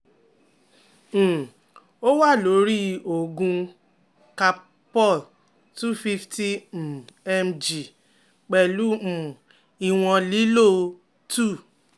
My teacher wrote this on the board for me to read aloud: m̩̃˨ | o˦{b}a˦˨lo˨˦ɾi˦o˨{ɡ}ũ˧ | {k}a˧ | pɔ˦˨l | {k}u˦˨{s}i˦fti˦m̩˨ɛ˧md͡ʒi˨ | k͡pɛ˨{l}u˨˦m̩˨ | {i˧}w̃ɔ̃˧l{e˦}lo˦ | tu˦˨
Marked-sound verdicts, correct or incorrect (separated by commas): incorrect, correct, correct, incorrect, incorrect, correct, correct, incorrect